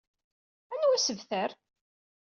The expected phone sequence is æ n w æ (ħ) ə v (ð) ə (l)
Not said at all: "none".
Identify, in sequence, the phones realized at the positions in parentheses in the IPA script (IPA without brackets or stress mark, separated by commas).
s, θ, ɾ